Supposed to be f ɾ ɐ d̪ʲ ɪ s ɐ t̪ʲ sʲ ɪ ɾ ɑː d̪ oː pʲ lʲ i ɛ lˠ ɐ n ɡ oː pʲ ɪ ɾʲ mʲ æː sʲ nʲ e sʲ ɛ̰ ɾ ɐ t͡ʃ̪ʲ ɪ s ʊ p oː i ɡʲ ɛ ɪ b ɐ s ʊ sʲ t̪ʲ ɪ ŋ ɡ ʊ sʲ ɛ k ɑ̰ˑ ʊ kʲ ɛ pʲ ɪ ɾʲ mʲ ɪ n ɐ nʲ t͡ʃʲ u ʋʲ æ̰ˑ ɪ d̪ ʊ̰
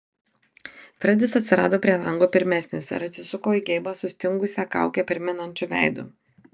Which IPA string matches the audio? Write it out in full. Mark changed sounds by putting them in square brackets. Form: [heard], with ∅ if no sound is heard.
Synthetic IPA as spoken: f ɾ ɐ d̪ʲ ɪ s ɐ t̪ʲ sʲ ɪ ɾ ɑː d̪ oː pʲ [ɾʲ] i ɛ lˠ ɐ [ŋ] ɡ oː pʲ ɪ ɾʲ mʲ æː sʲ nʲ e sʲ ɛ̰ ɾ ɐ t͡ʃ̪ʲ ɪ s ʊ [k] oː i ɡʲ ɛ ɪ b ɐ s ʊ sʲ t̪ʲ ɪ ŋ ɡ ʊ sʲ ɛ k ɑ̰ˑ ʊ kʲ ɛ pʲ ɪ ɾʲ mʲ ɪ n ɐ nʲ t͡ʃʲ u ʋʲ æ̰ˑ ɪ d̪ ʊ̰